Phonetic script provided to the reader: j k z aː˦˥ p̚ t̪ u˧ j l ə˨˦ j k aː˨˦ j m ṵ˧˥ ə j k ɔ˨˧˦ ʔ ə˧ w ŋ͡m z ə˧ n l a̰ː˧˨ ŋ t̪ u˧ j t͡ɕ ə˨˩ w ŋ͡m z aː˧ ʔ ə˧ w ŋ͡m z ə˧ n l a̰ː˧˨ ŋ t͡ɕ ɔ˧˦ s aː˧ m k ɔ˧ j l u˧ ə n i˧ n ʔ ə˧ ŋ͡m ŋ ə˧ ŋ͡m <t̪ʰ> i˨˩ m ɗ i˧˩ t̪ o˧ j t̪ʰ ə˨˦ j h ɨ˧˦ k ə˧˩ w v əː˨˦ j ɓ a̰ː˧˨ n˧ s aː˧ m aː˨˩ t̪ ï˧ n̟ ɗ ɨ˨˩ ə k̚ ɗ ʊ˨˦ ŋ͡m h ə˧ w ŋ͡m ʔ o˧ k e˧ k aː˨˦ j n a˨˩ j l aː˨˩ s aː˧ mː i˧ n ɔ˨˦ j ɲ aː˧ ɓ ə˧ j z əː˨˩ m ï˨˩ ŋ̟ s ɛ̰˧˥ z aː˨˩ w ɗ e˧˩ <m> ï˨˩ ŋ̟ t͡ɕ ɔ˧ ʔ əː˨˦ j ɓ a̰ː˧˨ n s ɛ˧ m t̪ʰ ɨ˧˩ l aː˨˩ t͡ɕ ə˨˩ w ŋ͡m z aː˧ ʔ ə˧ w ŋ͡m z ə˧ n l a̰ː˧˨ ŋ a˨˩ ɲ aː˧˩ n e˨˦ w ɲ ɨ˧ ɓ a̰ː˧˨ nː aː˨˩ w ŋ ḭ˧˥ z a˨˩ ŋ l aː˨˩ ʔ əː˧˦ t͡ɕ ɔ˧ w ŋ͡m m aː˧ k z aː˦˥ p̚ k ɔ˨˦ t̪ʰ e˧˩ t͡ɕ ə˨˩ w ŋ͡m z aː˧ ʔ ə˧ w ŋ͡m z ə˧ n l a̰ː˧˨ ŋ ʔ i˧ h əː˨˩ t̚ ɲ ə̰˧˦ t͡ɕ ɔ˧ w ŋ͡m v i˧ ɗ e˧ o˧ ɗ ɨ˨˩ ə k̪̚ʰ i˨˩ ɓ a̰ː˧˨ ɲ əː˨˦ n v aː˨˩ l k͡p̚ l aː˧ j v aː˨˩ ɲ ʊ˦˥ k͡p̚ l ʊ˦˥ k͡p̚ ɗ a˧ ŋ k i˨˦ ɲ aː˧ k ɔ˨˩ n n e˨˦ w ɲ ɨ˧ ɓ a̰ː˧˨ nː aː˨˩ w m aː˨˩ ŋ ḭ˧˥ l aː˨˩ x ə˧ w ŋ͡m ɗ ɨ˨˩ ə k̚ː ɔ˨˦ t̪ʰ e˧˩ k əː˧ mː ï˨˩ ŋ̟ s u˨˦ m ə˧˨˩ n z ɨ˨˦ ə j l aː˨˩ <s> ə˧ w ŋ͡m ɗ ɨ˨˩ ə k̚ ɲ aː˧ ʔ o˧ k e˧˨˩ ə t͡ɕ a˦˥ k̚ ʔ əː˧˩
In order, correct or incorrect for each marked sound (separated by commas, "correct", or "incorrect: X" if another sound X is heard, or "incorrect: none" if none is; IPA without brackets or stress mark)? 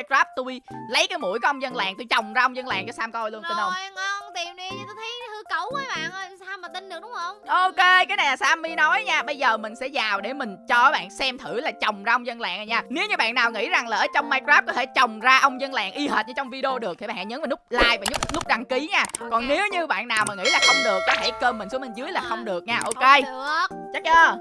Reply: incorrect: t̪, correct, incorrect: x